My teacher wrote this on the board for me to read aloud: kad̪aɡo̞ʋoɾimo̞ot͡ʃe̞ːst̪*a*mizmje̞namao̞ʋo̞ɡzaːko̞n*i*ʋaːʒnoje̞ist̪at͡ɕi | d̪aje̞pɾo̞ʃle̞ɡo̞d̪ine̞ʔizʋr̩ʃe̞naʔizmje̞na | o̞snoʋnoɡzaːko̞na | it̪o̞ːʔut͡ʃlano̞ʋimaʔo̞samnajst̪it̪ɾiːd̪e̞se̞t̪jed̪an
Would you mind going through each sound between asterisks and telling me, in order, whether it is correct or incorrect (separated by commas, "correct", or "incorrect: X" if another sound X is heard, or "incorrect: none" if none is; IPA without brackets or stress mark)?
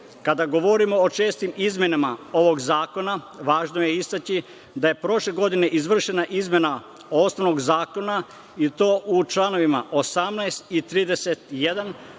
incorrect: i, incorrect: a